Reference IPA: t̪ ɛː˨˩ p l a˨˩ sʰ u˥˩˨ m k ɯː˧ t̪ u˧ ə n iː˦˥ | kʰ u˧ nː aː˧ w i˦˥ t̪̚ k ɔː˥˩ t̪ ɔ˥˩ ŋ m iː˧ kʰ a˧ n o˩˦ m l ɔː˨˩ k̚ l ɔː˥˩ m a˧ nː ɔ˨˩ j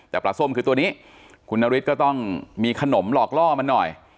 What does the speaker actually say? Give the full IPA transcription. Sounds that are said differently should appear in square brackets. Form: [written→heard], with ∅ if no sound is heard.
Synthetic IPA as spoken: t̪ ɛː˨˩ p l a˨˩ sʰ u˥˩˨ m k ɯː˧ t̪ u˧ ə n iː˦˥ | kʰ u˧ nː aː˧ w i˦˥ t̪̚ k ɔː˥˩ t̪ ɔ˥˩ ŋ m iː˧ kʰ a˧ n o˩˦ m l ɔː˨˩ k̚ l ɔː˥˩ m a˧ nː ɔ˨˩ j